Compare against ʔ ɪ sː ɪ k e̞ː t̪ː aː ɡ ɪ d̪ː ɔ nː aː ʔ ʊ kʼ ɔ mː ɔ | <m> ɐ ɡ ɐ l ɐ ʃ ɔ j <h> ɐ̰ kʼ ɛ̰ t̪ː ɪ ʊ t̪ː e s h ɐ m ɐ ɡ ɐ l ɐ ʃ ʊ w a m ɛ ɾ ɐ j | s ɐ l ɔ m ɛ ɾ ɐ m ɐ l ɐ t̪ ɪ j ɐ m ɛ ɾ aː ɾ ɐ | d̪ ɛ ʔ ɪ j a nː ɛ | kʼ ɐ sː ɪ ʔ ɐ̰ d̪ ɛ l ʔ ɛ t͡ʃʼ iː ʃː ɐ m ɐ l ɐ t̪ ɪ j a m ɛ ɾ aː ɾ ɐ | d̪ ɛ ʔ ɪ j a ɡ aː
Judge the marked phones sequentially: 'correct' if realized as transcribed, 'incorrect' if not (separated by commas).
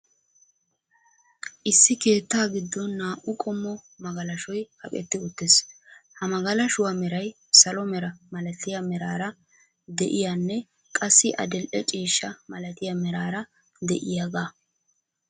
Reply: correct, correct